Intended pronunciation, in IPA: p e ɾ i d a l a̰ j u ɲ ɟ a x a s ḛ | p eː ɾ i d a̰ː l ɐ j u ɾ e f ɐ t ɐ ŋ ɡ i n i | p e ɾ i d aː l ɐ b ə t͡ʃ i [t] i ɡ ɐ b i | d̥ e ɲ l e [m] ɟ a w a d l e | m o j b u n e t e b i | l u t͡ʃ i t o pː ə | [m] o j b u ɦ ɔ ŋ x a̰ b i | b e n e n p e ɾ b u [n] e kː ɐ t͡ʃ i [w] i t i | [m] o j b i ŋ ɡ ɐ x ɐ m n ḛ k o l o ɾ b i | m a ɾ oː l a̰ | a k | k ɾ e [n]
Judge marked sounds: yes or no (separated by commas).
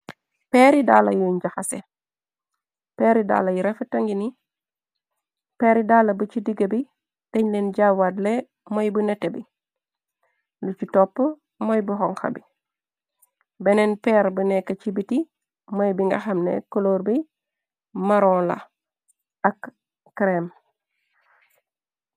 no, no, yes, yes, no, yes, no